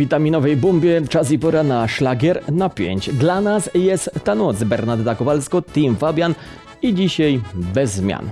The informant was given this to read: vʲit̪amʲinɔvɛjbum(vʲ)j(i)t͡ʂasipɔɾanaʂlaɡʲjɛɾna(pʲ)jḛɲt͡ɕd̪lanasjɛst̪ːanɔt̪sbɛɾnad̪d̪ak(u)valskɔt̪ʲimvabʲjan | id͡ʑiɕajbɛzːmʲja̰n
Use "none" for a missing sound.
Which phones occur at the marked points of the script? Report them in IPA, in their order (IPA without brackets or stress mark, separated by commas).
bʲ, ɛ, pʲ, ɔ